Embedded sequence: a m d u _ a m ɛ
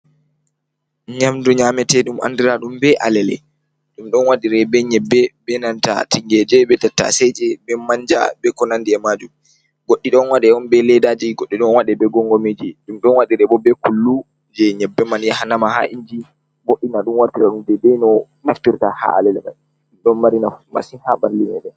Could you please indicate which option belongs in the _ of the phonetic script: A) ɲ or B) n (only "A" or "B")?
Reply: A